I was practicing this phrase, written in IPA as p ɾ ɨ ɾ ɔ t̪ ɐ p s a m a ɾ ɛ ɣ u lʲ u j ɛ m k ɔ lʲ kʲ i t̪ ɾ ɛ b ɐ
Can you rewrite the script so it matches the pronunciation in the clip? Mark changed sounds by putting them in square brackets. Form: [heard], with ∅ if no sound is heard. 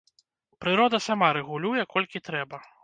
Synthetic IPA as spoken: p ɾ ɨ ɾ ɔ [d̪] ɐ [∅] s a m a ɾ ɛ ɣ u lʲ u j ɛ [∅] k ɔ lʲ kʲ i t̪ ɾ ɛ b ɐ

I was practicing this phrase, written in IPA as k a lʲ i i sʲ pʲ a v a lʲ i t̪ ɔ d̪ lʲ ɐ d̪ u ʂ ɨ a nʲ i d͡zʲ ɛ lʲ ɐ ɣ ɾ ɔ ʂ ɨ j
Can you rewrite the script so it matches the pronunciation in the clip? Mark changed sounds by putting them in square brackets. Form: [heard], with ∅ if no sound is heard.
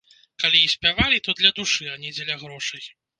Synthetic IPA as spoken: k a lʲ i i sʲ pʲ a v a lʲ i t̪ ɔ d̪ lʲ ɐ d̪ u ʂ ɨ a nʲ i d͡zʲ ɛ lʲ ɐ ɣ ɾ ɔ ʂ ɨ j

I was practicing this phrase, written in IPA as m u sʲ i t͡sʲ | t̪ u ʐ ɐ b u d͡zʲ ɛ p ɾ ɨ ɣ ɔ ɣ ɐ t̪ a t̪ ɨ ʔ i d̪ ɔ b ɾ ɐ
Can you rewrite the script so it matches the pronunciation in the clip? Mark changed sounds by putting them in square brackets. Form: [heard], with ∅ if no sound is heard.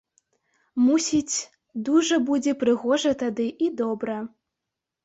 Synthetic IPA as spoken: m u sʲ i t͡sʲ | [d̪] u ʐ ɐ b u d͡zʲ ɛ p ɾ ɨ ɣ ɔ [ʐ] ɐ t̪ a [d̪] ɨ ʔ i d̪ ɔ b ɾ ɐ

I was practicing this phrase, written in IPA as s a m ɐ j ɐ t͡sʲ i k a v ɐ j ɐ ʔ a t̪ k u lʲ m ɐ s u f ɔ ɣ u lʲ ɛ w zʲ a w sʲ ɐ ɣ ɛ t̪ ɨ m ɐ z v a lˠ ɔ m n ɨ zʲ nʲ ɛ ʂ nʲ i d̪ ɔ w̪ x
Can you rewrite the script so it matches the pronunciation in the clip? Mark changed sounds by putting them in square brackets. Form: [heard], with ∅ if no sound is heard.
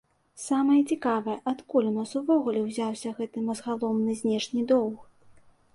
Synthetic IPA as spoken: s a m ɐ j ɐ t͡sʲ i k a v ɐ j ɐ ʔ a t̪ k u lʲ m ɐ s u [v] ɔ ɣ u lʲ ɛ w zʲ a w sʲ ɐ ɣ ɛ t̪ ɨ m ɐ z [ɣ] a lˠ ɔ m n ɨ zʲ nʲ ɛ ʂ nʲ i d̪ ɔ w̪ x

